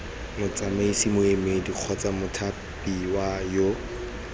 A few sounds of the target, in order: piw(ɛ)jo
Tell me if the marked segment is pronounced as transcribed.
no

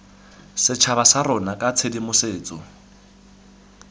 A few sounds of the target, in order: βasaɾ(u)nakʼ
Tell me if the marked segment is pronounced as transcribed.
no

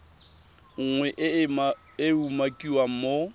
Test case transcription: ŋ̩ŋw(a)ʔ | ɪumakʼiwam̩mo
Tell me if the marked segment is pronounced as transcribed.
no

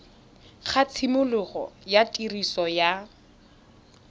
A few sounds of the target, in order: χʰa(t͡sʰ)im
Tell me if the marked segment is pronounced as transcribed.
yes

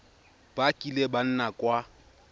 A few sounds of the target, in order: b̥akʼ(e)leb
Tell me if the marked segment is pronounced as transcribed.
no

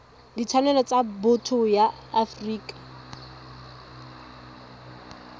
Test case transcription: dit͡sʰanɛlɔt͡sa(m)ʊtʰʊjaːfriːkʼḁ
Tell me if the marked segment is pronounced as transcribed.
no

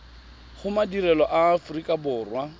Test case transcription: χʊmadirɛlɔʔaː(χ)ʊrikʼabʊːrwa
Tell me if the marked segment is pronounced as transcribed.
no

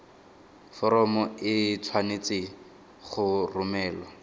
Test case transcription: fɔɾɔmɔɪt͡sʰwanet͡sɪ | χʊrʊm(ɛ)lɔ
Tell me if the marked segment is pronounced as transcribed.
no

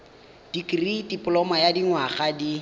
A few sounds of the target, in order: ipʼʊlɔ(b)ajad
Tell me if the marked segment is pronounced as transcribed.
no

